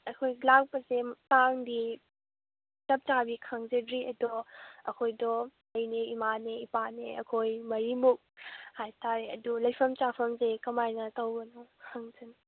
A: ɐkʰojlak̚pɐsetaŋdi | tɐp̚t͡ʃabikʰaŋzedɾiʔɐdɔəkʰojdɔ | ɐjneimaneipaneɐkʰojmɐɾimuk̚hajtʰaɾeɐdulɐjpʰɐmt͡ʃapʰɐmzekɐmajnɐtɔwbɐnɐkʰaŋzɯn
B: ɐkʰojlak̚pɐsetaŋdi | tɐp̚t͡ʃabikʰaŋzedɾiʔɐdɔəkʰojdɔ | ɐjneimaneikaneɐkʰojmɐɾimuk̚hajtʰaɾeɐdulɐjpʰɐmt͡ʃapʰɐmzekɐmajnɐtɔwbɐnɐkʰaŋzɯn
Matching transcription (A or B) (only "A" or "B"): A